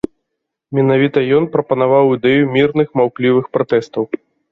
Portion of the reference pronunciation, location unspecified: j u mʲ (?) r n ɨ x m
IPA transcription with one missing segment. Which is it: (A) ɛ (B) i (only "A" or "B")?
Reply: B